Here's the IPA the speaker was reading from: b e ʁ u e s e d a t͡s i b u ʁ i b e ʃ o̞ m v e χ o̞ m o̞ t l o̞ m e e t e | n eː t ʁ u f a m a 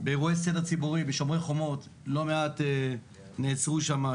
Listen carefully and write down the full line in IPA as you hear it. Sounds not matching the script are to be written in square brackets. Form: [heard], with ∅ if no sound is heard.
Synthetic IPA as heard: b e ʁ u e s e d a t͡s i b u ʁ i b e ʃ o̞ m [ʁ] e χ o̞ m o̞ t l o̞ m e [a] t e | n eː [t͡s] ʁ u [ʃ] a m a